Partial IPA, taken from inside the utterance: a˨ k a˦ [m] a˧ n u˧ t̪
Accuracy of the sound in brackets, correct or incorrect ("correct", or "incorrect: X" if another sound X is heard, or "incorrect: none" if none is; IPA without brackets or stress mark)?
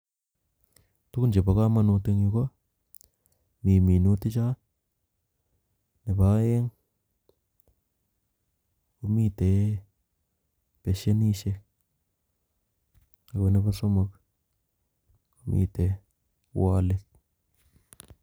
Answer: correct